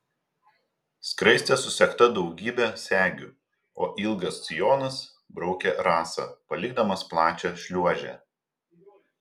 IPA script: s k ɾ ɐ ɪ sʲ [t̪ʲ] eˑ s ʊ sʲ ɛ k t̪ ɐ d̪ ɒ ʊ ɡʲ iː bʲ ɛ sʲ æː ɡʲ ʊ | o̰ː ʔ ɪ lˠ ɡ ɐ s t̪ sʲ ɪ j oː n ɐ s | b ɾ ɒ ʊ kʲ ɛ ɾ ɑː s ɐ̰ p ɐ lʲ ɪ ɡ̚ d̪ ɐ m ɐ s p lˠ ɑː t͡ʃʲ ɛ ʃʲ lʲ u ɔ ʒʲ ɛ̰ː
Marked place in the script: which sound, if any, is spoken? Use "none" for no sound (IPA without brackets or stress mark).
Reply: t̪ʲ